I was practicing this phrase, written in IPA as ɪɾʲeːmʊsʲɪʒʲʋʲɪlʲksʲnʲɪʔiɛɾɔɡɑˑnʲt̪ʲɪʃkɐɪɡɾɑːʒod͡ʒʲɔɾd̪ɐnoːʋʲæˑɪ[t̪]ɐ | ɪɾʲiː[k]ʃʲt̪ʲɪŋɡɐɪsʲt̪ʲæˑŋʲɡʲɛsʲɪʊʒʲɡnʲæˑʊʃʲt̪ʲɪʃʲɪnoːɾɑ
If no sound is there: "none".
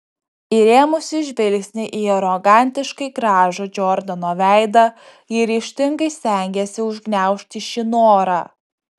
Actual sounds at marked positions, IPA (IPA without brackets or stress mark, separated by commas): d̪, none